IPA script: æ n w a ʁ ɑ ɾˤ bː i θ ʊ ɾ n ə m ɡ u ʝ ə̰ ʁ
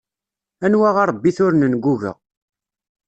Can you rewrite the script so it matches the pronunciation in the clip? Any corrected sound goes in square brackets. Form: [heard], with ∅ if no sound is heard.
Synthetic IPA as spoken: æ n w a ʁ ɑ ɾˤ bː i θ ʊ ɾ n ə [n] ɡ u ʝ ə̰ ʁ